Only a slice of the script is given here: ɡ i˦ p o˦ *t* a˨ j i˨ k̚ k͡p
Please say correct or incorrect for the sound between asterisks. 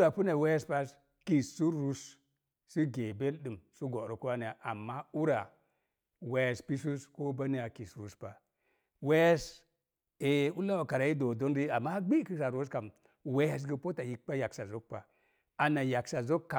correct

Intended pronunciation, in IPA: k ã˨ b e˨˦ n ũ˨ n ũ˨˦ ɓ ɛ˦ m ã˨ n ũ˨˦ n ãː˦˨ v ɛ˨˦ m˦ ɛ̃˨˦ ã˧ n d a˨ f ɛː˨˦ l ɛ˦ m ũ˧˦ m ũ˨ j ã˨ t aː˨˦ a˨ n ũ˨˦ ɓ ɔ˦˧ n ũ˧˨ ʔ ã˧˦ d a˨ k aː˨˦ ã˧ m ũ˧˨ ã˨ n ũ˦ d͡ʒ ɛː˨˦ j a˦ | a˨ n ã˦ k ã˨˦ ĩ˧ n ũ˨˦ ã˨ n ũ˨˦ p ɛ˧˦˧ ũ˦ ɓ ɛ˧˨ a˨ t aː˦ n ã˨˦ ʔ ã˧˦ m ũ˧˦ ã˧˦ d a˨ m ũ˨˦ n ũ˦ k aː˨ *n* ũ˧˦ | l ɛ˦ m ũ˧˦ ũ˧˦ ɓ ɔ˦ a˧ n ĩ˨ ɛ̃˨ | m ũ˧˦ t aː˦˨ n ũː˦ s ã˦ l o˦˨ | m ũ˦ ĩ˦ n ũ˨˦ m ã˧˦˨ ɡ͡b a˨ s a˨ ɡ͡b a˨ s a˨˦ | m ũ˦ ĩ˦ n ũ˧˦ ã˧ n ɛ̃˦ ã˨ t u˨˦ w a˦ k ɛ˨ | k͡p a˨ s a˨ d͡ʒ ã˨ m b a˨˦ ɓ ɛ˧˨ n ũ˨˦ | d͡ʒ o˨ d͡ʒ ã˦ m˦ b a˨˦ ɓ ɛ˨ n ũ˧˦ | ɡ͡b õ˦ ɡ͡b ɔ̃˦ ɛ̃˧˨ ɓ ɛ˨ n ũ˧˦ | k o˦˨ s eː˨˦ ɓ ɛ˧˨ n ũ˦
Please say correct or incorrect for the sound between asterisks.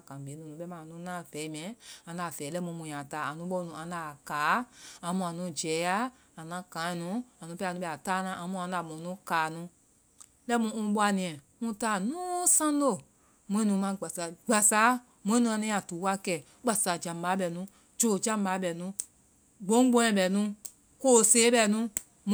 correct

